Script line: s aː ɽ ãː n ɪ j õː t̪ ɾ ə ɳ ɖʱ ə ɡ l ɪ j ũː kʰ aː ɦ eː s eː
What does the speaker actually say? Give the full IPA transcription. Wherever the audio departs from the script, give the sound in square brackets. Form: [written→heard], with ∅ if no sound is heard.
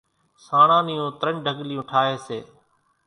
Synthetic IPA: s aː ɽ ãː n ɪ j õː t̪ ɾ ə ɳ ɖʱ ə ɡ l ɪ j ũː [kʰ→ʈʰ] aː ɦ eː s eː